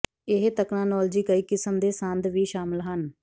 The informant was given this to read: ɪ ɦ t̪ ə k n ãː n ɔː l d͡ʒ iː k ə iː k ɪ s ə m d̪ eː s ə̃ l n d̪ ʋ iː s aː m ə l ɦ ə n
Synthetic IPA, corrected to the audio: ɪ ɦ t̪ ə k n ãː n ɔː l d͡ʒ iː k ə iː k ɪ s ə m d̪ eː s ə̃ n d̪ ʋ iː ʃ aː m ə l ɦ ə n